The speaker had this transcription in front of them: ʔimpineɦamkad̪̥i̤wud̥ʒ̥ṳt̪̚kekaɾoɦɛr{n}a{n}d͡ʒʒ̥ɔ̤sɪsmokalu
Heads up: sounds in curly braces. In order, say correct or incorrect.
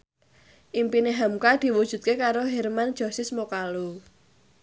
incorrect: m, correct

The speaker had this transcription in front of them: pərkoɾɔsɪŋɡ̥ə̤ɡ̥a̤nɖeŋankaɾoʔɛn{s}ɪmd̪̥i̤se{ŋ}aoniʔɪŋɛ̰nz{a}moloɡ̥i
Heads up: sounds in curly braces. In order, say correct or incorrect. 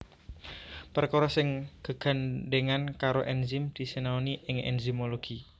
incorrect: z, incorrect: n, incorrect: i

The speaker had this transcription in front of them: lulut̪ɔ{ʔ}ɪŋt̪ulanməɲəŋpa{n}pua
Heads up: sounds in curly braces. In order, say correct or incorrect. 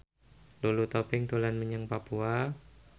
incorrect: p, incorrect: none

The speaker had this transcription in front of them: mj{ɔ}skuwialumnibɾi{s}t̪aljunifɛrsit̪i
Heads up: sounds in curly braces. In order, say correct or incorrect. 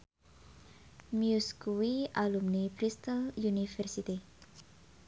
incorrect: u, correct

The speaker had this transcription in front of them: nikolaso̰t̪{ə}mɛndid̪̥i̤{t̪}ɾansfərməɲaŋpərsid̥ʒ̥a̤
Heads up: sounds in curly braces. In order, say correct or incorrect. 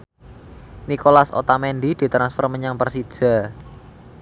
incorrect: a, correct

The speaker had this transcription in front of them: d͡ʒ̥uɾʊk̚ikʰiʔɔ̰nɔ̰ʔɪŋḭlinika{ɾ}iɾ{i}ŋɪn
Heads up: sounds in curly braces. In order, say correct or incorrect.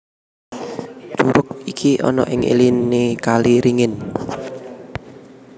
incorrect: l, correct

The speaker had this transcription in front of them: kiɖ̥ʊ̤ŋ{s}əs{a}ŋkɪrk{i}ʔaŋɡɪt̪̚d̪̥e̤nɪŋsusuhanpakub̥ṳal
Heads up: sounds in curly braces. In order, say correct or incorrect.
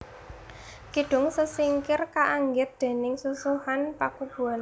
correct, incorrect: i, incorrect: a

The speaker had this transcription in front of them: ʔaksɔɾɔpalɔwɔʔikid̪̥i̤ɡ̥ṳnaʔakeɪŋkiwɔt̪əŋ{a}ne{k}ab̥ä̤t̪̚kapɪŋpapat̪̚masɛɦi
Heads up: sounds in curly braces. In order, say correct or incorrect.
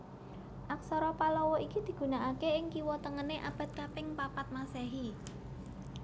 incorrect: ə, incorrect: ʔ

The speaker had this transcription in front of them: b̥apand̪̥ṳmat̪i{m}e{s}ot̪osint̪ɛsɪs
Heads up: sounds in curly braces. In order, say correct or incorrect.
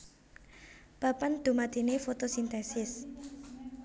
incorrect: n, incorrect: f

